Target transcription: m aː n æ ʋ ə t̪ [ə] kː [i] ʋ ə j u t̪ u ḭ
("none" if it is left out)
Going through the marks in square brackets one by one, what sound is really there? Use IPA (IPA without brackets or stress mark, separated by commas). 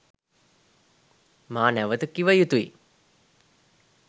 ə, i